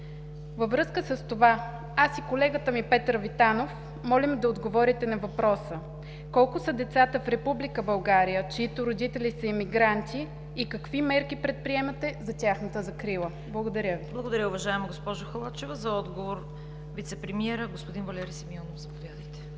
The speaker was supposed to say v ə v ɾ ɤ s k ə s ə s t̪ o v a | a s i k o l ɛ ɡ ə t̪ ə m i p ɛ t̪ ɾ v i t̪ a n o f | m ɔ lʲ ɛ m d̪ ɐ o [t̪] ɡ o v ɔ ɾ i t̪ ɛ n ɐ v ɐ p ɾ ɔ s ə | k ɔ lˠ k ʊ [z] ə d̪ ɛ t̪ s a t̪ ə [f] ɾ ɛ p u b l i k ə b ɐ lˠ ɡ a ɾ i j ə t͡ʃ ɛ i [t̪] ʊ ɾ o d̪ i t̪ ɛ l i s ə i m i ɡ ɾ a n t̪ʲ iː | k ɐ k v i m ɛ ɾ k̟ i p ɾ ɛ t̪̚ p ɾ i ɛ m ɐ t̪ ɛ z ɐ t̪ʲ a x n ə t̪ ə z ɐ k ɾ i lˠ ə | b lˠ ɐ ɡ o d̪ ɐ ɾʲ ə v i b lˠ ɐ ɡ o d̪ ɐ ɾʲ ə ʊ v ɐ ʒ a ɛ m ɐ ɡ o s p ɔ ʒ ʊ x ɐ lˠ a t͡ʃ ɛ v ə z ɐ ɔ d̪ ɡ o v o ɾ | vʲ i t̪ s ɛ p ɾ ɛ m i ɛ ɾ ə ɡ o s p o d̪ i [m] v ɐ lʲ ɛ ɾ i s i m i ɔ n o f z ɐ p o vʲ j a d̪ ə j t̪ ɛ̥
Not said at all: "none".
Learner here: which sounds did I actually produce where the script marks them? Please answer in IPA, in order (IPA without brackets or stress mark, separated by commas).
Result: d̪, s, f, t̪, n